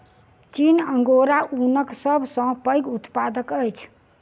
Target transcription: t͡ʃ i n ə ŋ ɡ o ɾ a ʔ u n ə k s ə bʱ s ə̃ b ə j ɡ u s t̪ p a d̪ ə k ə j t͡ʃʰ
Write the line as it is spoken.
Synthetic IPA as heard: t͡ʃ i n ə ŋ ɡ o ɾ a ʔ u n ə k s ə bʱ s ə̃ p ə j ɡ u t̪ p a d̪ ə k ə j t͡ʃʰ